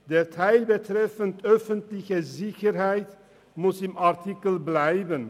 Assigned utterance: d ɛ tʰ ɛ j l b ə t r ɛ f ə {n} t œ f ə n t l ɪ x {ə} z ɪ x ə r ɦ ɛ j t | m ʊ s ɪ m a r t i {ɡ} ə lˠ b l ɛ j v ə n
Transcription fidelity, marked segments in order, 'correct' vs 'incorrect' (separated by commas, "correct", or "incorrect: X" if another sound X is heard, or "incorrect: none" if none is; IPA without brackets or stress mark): correct, correct, incorrect: k